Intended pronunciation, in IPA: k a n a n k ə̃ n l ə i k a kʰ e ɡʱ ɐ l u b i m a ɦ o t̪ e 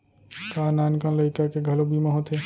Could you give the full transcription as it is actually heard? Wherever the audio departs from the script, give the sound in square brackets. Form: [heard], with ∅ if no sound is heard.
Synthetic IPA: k a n a n k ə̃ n l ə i k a [k] e ɡʱ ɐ l [o] b i m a ɦ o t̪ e